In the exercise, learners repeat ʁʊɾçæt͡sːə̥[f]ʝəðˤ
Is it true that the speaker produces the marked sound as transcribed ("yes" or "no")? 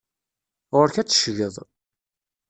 no